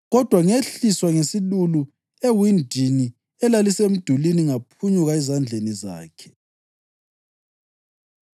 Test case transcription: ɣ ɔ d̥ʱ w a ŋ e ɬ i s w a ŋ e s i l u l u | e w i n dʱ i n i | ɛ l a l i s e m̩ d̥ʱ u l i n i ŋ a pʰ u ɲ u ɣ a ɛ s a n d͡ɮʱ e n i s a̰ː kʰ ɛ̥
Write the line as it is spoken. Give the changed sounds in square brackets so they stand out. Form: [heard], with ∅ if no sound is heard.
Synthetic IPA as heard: ɣ ɔ d̥ʱ w a ŋ e ɬ i s w a ŋ e s i l u l u | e w i n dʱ i n i | ɛ l a l i s e m̩ d̥ʱ u l i n i ŋ a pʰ u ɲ u ɣ a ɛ [z] a n d͡ɮʱ e n i [z] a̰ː kʰ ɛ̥